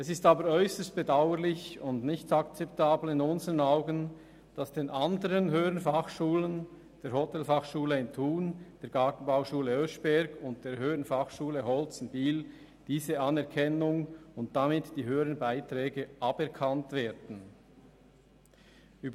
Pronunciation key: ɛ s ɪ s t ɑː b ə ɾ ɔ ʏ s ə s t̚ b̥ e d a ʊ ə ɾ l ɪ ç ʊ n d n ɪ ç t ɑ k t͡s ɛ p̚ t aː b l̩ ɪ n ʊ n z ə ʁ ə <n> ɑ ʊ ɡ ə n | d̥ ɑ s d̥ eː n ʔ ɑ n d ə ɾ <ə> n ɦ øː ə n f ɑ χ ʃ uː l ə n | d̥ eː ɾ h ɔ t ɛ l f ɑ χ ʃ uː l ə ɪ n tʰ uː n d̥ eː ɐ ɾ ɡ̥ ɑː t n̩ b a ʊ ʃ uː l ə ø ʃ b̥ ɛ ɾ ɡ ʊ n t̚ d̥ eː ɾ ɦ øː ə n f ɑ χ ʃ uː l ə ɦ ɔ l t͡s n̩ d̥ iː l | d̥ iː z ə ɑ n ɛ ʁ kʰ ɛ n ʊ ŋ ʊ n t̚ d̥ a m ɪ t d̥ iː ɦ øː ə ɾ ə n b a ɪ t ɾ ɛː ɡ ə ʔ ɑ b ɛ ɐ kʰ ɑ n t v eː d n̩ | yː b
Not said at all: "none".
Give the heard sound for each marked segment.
n, ə

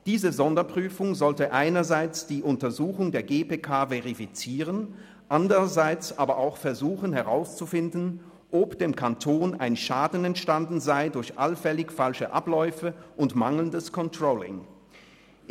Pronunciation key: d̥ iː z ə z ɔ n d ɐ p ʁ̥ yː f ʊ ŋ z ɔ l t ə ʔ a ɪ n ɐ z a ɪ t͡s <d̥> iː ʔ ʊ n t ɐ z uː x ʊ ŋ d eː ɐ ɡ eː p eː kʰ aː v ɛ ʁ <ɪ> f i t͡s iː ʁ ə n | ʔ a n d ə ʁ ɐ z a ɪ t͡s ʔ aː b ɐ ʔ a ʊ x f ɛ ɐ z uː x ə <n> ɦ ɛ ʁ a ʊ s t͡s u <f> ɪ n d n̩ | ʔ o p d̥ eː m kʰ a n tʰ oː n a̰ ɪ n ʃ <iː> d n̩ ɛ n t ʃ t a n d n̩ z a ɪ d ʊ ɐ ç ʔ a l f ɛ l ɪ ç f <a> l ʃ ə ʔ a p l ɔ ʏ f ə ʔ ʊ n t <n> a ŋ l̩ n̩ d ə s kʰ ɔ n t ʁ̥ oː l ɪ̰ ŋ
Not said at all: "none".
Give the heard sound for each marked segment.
d̥, i, n, f, aː, a, m

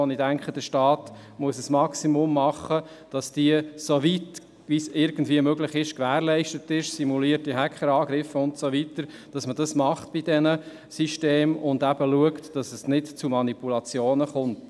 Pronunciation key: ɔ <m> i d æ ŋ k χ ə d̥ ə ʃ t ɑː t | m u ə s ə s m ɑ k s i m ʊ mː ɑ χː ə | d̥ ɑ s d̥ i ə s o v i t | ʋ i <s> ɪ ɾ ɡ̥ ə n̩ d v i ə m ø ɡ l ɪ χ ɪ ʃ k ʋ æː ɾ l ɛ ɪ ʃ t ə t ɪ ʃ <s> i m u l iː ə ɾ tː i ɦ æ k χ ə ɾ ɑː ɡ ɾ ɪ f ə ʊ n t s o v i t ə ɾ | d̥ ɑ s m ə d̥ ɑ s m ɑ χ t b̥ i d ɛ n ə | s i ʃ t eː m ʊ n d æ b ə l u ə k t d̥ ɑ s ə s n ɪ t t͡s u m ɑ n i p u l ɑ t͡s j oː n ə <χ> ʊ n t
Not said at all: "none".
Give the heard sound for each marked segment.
n, s, s, χ

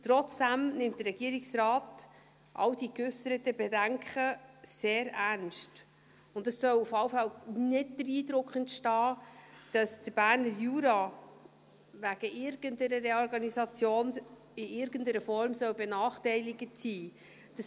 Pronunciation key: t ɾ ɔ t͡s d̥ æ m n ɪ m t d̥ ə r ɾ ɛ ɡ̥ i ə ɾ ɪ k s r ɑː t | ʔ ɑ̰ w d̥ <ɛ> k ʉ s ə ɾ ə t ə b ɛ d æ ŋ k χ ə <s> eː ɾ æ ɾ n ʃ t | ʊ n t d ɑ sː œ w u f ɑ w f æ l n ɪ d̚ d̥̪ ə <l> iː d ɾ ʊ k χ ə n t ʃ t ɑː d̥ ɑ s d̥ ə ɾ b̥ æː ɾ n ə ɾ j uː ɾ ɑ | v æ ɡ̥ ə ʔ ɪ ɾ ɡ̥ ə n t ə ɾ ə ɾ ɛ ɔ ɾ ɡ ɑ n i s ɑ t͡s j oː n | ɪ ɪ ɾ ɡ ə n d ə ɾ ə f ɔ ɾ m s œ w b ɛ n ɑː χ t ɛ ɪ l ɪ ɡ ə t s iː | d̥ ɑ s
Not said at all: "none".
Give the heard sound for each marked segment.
i, s, ɾ

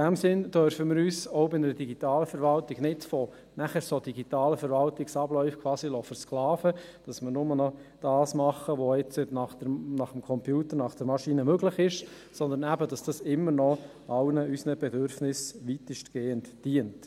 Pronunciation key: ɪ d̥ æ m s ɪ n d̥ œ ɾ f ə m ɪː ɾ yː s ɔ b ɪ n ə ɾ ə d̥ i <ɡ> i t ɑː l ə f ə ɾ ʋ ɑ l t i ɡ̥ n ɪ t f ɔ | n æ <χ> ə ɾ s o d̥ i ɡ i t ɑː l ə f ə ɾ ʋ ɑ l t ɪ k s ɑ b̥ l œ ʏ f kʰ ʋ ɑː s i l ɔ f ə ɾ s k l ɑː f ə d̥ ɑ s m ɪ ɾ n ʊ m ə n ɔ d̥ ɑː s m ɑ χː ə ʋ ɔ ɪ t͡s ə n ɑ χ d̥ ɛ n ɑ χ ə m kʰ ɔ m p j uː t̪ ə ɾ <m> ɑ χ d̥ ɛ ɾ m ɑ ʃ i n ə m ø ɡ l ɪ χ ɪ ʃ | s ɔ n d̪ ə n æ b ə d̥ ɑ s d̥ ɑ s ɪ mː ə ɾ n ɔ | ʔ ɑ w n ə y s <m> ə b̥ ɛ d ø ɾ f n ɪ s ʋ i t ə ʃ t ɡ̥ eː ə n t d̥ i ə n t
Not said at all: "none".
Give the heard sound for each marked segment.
ɡ, χ, n, n

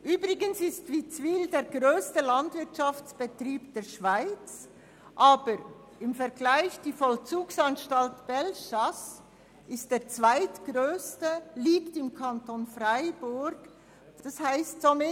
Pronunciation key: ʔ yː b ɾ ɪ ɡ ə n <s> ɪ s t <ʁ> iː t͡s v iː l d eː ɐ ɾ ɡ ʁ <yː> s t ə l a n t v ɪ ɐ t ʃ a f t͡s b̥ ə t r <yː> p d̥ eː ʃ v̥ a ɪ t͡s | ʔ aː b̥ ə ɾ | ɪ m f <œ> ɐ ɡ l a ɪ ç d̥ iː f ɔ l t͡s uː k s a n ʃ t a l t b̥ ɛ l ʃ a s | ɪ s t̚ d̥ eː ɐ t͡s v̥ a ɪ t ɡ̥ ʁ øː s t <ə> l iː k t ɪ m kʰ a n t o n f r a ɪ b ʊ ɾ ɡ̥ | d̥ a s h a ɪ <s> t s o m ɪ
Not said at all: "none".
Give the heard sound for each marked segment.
s, v, øː, iː, ɛ, ə, s

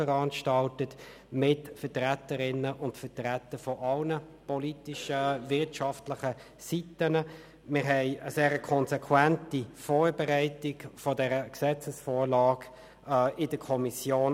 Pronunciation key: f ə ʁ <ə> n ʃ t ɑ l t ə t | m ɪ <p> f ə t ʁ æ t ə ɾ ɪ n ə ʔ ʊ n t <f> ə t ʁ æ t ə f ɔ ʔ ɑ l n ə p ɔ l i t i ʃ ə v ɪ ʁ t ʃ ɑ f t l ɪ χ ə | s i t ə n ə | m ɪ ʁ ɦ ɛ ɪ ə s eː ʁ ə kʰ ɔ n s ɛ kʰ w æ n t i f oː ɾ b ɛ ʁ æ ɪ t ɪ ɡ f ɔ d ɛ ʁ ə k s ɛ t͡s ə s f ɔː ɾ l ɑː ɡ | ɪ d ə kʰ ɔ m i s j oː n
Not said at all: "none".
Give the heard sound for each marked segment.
ɑ, t, f

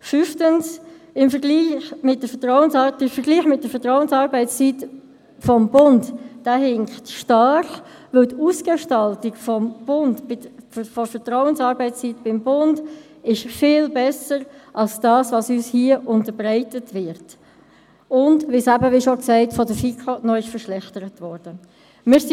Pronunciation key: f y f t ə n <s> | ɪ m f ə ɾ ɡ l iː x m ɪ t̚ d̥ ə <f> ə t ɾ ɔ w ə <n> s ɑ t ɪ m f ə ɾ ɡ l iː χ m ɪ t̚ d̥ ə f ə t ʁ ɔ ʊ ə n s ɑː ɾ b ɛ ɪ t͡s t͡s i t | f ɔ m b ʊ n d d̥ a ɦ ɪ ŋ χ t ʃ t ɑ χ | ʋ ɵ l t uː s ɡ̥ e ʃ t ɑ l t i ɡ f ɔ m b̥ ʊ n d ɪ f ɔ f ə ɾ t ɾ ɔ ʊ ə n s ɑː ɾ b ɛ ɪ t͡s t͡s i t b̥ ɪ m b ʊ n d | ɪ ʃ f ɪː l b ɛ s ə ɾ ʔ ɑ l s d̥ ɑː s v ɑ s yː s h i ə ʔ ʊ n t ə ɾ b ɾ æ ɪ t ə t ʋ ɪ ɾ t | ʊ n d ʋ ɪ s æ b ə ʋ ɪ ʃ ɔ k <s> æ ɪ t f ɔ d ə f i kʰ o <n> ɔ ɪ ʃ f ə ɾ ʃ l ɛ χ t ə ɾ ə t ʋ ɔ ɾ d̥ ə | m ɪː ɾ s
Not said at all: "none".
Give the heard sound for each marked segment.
s, f, n, s, n

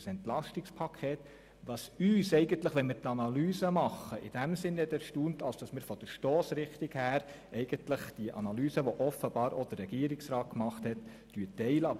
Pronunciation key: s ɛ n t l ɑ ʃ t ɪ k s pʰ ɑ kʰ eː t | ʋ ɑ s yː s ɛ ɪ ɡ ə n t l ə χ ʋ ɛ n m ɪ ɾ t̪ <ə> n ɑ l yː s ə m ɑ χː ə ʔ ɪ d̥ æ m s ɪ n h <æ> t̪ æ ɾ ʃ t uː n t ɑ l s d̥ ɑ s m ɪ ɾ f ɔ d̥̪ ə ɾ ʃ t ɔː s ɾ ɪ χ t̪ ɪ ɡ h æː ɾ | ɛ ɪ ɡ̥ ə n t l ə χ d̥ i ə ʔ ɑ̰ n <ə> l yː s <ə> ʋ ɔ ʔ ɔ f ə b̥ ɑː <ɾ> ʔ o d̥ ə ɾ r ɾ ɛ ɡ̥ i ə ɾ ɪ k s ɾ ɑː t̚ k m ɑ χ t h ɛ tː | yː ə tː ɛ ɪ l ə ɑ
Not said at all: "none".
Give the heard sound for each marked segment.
ɑ, ɛ, ɑ, ə, ɾ

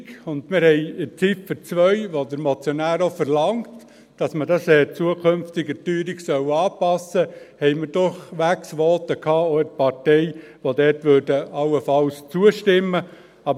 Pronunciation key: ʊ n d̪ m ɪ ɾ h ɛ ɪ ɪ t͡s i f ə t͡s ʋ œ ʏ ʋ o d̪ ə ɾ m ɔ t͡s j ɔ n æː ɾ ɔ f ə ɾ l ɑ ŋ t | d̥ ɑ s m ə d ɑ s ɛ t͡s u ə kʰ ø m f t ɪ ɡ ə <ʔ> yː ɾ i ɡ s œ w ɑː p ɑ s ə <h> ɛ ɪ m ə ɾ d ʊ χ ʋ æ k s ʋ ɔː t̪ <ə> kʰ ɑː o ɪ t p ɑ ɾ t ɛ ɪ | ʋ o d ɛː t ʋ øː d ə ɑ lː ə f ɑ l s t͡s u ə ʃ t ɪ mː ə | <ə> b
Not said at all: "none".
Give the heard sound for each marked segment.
t, h, ə, ɑ

